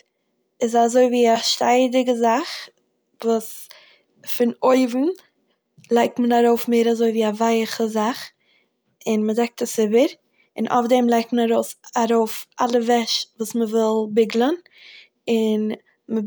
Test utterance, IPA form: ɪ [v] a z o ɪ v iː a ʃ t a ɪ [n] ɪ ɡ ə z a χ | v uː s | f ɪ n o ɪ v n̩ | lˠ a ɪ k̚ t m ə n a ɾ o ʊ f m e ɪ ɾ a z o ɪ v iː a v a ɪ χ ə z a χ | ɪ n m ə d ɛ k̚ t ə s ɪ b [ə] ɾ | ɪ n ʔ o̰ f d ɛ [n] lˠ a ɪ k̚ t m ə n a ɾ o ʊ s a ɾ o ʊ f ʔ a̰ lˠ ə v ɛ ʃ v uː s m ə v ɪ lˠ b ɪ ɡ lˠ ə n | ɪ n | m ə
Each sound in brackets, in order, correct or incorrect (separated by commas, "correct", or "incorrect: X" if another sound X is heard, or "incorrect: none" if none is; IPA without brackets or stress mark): incorrect: z, incorrect: d, correct, incorrect: m